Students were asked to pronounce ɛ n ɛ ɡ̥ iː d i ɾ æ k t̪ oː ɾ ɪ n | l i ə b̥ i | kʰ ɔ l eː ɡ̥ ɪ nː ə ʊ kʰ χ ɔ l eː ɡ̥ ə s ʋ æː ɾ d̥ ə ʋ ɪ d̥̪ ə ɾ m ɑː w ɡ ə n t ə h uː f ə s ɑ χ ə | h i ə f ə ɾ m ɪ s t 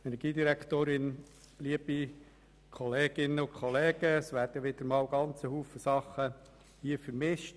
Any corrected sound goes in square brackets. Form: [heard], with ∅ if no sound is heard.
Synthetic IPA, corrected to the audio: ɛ n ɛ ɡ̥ iː d i ɾ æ k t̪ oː ɾ ɪ n | l i ə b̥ i | kʰ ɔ l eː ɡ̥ ɪ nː ə ʊ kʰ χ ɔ l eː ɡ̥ ə s ʋ æː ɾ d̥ ə ʋ ɪ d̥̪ ə ɾ m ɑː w ɡ [ɑ] n [t͡s] ə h uː f ə s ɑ χ ə | h i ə f ə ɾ m ɪ [ʃ] t